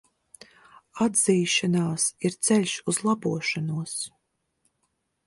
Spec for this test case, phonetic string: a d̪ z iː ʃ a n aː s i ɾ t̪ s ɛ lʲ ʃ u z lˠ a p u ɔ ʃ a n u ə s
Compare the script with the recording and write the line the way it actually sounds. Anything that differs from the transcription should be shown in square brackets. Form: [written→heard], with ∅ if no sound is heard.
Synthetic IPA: a d̪ z iː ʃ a n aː s i ɾ t̪ s ɛ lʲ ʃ u z lˠ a [p→b] u ɔ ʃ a n u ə s